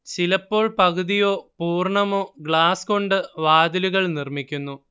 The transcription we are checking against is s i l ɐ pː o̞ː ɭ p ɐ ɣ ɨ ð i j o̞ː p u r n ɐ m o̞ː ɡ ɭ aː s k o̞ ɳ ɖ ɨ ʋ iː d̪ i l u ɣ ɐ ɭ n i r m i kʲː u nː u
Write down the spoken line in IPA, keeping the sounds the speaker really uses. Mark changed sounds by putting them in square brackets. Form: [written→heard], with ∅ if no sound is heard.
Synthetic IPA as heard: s i l ɐ pː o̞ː ɭ p ɐ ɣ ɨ ð i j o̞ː p [u→uː] r [n→ɳ] ɐ m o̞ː ɡ ɭ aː s k o̞ ɳ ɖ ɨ ʋ [iː→aː] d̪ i l u ɣ ɐ ɭ n i r m i kʲː u nː u